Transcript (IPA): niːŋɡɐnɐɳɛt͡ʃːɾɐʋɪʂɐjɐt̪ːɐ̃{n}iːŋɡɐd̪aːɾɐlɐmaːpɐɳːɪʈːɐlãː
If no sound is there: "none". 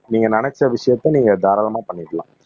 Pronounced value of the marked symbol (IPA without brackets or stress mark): n